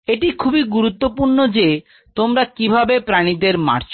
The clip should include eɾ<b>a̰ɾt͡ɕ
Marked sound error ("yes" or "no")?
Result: yes